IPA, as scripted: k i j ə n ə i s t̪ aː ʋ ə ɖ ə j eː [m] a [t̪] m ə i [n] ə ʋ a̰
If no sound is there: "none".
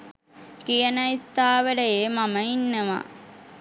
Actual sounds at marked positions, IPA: m, none, nː

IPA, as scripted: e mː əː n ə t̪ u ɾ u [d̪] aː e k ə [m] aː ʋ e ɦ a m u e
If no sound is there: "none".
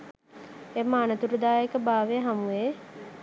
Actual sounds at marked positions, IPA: d̪, b

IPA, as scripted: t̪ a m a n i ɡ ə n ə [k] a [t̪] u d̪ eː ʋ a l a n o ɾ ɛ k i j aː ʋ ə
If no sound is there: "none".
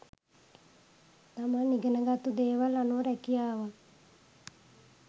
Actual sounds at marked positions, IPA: ɡ, t̪

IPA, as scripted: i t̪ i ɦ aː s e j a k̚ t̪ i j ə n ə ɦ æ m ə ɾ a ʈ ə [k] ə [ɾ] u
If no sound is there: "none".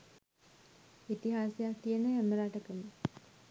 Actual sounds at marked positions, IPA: k, l

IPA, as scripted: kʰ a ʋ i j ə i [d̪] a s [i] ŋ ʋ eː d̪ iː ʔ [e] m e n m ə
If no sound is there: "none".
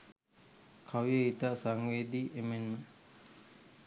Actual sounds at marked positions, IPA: t̪, a, e

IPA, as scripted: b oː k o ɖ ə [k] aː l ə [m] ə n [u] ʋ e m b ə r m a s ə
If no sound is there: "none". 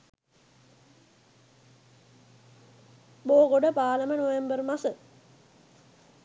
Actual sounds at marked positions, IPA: p, m, o

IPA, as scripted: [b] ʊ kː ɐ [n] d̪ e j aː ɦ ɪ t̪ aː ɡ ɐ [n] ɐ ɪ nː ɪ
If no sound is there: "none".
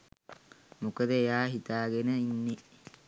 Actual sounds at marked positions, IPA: m, none, n

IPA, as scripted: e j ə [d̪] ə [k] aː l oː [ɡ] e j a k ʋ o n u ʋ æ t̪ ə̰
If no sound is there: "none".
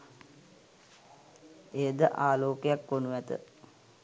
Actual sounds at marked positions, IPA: d̪, ʔ, k

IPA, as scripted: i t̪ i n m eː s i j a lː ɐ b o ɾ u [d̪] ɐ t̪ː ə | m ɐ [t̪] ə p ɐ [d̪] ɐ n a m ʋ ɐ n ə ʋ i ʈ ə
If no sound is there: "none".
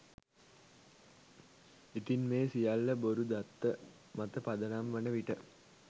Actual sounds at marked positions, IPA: d̪, t̪, d̪

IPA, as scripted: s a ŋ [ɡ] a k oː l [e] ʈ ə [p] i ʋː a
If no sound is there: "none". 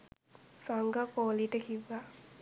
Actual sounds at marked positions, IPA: ɡ, i, k

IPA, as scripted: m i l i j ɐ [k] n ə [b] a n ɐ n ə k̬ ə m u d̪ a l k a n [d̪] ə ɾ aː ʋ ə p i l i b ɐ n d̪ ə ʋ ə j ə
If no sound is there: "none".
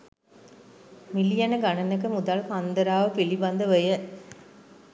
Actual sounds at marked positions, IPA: none, ɡ, d̪

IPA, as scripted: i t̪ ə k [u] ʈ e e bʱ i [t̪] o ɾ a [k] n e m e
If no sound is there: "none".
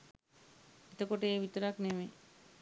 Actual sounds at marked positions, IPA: o, t̪, k

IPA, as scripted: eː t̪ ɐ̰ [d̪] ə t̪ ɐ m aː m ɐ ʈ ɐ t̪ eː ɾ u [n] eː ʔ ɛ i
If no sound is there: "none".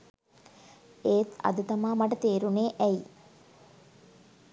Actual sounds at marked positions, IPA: d̪, n

